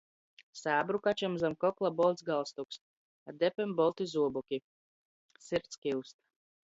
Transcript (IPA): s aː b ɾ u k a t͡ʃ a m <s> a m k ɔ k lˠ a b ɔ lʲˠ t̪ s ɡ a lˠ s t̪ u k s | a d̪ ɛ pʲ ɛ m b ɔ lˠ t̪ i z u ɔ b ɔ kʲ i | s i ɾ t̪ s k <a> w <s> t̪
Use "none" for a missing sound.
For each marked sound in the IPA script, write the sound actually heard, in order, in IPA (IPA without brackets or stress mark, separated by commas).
z, i, s